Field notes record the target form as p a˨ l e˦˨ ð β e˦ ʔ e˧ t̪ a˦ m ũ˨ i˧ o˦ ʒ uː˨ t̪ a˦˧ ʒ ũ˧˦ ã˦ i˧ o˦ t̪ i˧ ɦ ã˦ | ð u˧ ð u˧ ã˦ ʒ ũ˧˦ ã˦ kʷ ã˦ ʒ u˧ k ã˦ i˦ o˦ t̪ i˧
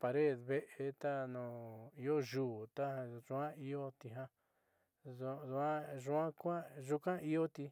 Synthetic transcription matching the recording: p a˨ ɾ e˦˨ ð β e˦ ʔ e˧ t̪ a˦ n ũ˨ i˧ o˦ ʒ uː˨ t̪ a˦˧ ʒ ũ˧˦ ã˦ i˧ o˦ t̪ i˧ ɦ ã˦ | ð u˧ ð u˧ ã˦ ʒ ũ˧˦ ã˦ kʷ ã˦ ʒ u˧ k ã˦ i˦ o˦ t̪ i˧

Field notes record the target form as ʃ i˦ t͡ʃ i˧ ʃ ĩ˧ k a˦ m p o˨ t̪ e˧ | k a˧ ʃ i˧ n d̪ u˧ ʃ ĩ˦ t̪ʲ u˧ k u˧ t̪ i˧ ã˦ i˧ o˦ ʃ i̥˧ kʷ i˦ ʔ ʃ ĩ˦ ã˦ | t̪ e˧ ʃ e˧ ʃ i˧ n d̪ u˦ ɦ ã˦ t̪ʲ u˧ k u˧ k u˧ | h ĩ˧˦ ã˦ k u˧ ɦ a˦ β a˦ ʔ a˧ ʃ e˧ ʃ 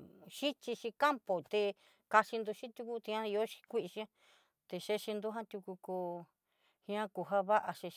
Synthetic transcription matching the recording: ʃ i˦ t͡ʃ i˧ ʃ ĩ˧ k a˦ m p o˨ t̪ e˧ | k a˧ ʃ i˧ n d̪ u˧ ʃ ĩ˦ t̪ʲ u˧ k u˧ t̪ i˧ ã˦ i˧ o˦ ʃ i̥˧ kʷ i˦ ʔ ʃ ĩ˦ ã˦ | t̪ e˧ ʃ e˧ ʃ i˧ n d̪ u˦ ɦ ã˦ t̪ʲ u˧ k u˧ k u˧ | h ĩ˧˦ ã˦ k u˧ ɦ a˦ β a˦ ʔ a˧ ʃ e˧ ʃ

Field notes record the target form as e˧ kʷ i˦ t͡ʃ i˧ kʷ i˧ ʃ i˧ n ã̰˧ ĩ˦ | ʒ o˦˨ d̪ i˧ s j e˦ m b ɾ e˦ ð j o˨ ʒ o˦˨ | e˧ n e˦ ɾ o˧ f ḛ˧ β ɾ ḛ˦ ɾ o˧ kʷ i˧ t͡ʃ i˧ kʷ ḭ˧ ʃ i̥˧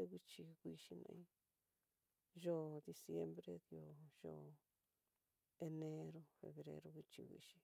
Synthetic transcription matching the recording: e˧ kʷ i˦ t͡ʃ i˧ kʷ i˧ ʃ i˧ n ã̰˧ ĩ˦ | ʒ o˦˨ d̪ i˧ s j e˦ m b ɾ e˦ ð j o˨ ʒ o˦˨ | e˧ n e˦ ɾ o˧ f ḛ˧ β ɾ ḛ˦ ɾ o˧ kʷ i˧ t͡ʃ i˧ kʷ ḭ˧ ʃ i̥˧

